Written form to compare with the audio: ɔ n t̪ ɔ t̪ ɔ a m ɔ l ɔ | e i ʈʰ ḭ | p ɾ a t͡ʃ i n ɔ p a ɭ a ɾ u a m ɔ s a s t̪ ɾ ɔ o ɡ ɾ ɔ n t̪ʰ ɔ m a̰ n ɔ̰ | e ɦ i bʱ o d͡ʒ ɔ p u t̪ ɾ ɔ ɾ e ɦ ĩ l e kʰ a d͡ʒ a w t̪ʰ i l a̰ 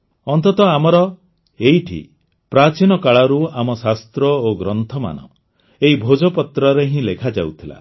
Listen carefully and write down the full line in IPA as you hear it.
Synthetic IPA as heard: ɔ n t̪ ɔ t̪ ɔ a m ɔ ɾ ɔ | e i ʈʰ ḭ | p ɾ a t͡ʃ i n ɔ k a ɭ a ɾ u a m ɔ s a s t̪ ɾ ɔ o ɡ ɾ ɔ n t̪ʰ ɔ m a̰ n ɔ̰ | e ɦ i bʱ o d͡ʒ ɔ p ɔ t̪ ɾ ɔ ɾ e ɦ ĩ l e kʰ a d͡ʒ a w t̪ʰ i l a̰

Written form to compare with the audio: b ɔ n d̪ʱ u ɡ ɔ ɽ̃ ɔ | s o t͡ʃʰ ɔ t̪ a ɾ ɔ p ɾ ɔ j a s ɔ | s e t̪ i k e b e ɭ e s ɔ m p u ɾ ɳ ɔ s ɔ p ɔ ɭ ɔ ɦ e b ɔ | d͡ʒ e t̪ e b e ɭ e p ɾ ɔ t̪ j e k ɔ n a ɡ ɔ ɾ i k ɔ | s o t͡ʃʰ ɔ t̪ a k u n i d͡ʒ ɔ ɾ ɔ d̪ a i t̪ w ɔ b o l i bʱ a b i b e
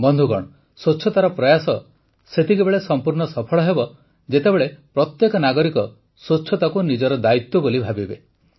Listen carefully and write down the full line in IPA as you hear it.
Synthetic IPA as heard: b ɔ n d̪ʱ u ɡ ɔ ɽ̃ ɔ | s o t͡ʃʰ ɔ t̪ a ɾ ɔ p ɾ ɔ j a s ɔ | s e t̪ i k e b e ɭ e s ɔ m p u ɾ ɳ ɔ s ɔ pʰ ɔ ɭ ɔ ɦ e b ɔ | d͡ʒ e t̪ e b e ɭ e p ɾ ɔ t̪ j e k ɔ n a ɡ ɔ ɾ i k ɔ | s o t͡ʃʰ ɔ t̪ a k u n i d͡ʒ ɔ ɾ ɔ d̪ a i t̪ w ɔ b o l i bʱ a b i b e

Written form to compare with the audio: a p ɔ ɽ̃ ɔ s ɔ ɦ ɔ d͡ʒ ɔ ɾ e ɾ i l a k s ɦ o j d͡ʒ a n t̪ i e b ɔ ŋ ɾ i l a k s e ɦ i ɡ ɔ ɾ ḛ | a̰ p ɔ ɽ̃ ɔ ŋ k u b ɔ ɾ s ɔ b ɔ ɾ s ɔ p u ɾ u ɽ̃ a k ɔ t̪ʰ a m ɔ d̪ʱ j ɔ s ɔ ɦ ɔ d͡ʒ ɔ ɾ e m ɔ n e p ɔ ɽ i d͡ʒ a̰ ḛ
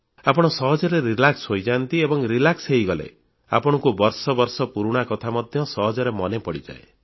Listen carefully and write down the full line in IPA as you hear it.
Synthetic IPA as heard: a p ɔ ɽ̃ ɔ s ɔ ɦ ɔ d͡ʒ ɔ ɾ e ɾ i l a k s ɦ o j d͡ʒ a n t̪ i e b ɔ ŋ ɾ i l a k s e ɦ i ɡ ɔ l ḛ | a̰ p ɔ ɽ̃ ɔ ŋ k u b ɔ ɾ s ɔ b ɔ ɾ s ɔ p u ɾ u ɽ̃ a k ɔ t̪ʰ a m ɔ d̪ʱ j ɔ s ɔ ɦ ɔ d͡ʒ ɔ ɾ e m ɔ n e p ɔ ɽ i d͡ʒ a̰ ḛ

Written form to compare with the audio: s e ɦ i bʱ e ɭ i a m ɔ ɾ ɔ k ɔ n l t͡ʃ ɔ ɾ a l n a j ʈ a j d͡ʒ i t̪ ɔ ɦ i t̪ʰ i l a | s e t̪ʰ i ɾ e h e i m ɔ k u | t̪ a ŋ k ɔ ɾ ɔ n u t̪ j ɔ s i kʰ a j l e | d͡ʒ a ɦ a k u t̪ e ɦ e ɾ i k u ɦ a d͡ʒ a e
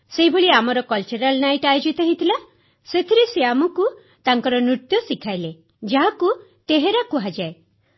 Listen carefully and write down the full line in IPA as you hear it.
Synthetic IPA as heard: s e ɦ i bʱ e ɭ i a m ɔ ɾ ɔ k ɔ l t͡ʃ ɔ ɾ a l n a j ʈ a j d͡ʒ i t̪ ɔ ɦ i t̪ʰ i l a | s e t̪ʰ i ɾ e s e a m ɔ k u | t̪ a ŋ k ɔ ɾ ɔ n u t̪ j ɔ s i kʰ a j l e | d͡ʒ a ɦ a k u t̪ e ɦ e ɾ a k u ɦ a d͡ʒ a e

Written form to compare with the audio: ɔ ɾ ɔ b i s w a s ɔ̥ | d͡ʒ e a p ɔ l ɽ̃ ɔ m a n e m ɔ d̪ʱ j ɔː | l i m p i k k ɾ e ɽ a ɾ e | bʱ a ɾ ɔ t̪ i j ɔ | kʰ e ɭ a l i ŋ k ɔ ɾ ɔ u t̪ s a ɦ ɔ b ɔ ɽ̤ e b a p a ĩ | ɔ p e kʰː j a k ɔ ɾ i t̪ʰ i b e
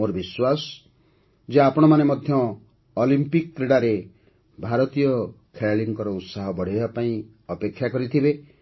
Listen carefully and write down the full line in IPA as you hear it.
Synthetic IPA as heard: o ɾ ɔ b i s w a s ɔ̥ | d͡ʒ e a p ɔ ɽ̃ ɔ m a n e m ɔ d̪ʱ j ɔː | l i m p i k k ɾ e ɽ a ɾ e | bʱ a ɾ ɔ t̪ i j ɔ | kʰ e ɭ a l i ŋ k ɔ ɾ ɔ u t̪ s a ɦ ɔ b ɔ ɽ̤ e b a p a ĩ | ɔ p e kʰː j a k ɔ ɾ i t̪ʰ i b e

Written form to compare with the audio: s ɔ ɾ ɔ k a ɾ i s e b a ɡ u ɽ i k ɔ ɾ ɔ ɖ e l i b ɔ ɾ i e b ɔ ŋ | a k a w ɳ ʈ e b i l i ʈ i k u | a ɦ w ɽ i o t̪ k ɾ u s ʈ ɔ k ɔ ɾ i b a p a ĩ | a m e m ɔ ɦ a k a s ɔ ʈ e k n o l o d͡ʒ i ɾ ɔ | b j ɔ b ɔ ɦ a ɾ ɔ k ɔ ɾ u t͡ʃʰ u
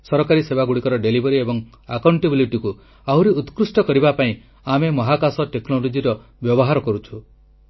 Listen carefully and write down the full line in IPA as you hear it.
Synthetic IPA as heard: s ɔ ɾ ɔ k a ɾ i s e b a ɡ u ɽ i k ɔ ɾ ɔ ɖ e l i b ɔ ɾ i e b ɔ ŋ | a k a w ɳ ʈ e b i l i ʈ i k u | a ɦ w ɾ i u t̪ k ɾ u s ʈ ɔ k ɔ ɾ i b a p a ĩ | a m e m ɔ ɦ a k a s ɔ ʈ e k n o l o d͡ʒ i ɾ ɔ | b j ɔ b ɔ ɦ a ɾ ɔ k ɔ ɾ u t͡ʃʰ u

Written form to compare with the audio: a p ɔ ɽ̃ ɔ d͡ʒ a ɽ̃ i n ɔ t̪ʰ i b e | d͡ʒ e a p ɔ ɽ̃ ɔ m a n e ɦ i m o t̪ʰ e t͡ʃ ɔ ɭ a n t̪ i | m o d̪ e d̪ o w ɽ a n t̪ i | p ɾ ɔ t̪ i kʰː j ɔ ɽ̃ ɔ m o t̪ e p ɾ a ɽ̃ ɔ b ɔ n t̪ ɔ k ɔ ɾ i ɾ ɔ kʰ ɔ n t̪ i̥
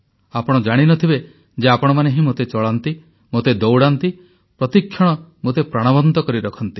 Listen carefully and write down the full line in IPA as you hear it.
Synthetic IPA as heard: a p ɔ ɽ̃ ɔ d͡ʒ a ɽ̃ i n ɔ t̪ʰ i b e | d͡ʒ e a p ɔ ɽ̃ ɔ m a n e ɦ i m o t̪ e t͡ʃ ɔ ɭ a n t̪ i | m o t̪ e d̪ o w ɽ a n t̪ i | p ɾ ɔ t̪ i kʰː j ɔ ɽ̃ ɔ m o t̪ e p ɾ a ɽ̃ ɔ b ɔ n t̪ ɔ k ɔ ɾ i ɾ ɔ kʰ ɔ n t̪ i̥

